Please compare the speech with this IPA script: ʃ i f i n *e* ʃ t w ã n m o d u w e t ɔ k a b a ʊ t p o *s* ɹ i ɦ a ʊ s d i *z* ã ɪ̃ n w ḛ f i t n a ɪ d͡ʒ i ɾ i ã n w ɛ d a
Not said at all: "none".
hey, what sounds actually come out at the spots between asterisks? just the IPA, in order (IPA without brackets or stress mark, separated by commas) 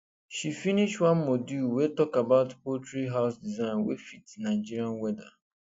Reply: i, t, z